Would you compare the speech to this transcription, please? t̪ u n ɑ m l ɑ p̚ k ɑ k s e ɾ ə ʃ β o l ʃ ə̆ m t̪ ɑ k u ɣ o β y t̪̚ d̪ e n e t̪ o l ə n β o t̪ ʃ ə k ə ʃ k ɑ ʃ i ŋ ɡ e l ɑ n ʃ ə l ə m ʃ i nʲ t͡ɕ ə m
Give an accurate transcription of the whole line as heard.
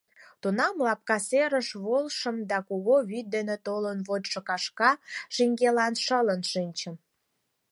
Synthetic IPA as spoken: t̪ u n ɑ m l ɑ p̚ k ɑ s e ɾ ə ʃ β o l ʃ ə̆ m d̪ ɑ k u ɣ o β y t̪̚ d̪ e n e t̪ o l ə n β o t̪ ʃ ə k ɑ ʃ k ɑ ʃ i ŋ ɡ e l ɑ n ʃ ə l ə n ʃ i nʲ t͡ɕ ə m